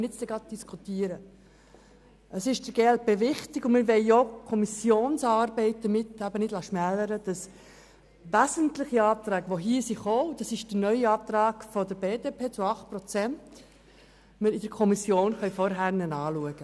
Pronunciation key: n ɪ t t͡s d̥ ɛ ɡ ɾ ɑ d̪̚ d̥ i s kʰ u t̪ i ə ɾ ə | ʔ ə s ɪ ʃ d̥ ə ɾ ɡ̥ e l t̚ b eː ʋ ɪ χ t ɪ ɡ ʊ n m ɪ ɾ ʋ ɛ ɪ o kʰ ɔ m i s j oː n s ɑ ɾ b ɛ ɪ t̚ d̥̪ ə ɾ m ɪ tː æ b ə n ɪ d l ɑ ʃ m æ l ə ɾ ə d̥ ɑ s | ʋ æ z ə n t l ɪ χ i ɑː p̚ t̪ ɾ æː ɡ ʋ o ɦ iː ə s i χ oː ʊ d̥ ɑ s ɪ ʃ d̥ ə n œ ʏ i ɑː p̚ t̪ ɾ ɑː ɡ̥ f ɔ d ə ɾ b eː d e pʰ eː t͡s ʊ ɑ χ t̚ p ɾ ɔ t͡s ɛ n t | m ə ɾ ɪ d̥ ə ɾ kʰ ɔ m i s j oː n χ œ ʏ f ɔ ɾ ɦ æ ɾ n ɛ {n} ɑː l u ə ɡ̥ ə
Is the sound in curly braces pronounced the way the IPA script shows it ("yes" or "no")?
yes